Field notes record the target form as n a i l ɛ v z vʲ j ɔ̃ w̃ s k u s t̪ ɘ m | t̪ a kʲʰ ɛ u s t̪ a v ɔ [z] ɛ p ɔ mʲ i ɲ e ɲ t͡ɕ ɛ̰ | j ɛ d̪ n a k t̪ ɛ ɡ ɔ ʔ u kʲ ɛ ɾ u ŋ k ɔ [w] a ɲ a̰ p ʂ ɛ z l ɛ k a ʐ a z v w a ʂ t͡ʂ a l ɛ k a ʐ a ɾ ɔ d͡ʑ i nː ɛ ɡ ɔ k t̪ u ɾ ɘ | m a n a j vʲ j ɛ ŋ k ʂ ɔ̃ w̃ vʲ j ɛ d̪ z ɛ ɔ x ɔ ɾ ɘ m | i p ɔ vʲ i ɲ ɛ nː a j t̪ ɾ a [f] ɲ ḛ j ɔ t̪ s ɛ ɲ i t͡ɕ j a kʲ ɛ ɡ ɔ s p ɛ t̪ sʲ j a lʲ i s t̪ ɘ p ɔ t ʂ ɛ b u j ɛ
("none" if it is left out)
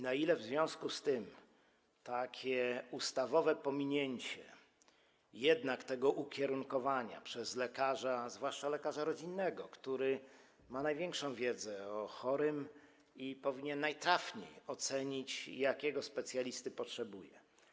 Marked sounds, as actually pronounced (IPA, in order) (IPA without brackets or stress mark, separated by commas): v, v, f